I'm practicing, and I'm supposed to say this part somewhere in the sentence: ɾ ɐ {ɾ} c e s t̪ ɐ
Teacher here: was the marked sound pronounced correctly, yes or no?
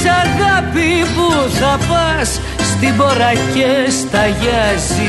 no